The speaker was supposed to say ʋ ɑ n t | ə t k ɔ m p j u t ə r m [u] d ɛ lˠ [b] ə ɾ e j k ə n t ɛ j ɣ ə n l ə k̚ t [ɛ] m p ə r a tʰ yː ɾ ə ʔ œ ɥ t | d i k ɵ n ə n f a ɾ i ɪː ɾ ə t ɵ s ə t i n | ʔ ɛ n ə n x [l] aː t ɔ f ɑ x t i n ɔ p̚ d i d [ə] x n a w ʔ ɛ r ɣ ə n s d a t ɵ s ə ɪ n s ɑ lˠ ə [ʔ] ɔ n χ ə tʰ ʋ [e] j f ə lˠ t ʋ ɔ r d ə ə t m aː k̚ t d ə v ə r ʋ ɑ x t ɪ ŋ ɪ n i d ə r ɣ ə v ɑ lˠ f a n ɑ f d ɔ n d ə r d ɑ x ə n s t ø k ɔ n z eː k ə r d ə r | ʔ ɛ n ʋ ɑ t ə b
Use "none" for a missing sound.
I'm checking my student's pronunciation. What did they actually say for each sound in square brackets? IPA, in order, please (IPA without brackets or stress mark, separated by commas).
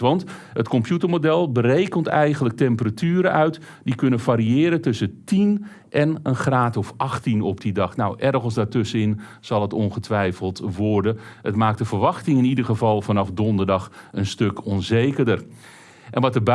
o, b, ɛ, r, ɑ, t, ɛ